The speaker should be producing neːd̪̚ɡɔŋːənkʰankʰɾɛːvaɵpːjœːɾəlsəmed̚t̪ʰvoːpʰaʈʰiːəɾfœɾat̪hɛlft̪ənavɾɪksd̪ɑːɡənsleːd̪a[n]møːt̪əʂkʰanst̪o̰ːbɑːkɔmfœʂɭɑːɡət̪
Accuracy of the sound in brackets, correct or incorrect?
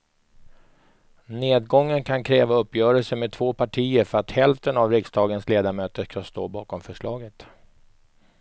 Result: incorrect